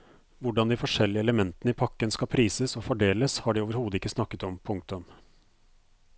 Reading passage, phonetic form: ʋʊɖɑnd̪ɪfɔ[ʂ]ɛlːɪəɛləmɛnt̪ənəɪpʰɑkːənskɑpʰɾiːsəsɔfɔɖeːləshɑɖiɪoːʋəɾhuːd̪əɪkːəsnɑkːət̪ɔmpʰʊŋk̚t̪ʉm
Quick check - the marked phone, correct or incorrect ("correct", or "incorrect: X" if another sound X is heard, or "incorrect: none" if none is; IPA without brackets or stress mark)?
correct